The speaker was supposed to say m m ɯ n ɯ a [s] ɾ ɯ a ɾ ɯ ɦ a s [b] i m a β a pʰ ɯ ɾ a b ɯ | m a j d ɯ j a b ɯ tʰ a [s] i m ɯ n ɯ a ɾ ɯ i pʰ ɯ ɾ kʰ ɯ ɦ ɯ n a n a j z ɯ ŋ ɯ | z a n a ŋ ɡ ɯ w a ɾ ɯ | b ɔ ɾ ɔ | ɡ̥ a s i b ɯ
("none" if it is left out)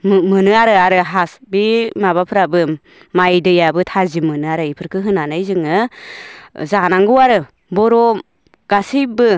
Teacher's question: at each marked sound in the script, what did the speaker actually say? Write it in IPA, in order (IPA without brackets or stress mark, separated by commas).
none, b, z